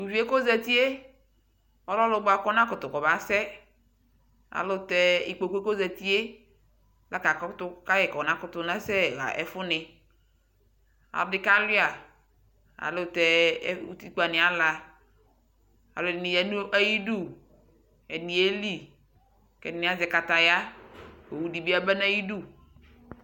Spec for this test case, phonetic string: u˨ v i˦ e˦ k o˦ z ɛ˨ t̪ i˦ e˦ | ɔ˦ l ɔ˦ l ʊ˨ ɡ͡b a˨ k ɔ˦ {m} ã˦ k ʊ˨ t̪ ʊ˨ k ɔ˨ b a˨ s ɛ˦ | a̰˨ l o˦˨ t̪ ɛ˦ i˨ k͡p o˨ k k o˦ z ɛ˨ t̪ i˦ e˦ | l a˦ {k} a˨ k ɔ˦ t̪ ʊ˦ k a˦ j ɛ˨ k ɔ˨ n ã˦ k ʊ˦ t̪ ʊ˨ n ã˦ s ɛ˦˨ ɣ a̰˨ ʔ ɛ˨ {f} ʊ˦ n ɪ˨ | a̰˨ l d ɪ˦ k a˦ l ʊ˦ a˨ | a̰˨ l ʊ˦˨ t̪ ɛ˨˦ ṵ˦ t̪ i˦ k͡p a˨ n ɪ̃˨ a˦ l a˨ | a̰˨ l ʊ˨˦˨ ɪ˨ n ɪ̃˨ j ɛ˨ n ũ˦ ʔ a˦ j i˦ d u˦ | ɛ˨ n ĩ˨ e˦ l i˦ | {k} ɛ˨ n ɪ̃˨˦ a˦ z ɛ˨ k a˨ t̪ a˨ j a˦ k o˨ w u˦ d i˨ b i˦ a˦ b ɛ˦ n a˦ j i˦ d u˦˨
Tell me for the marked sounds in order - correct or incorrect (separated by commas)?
incorrect, correct, correct, correct